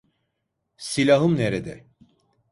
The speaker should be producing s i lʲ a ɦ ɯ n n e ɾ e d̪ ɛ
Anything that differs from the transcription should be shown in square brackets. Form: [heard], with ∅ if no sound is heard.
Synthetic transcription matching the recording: s i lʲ a ɦ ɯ [m] n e ɾ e d̪ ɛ